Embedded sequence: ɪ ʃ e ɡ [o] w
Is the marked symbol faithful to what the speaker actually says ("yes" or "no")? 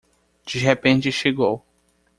yes